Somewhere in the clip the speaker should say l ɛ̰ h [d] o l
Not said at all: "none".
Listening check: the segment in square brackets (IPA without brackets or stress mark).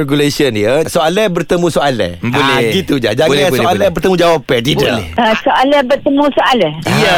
b